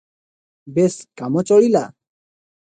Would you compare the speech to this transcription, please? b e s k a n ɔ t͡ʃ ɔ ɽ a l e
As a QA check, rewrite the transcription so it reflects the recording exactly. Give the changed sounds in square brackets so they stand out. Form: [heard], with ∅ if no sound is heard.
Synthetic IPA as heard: b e s k a [m] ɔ t͡ʃ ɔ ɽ [i] l [a]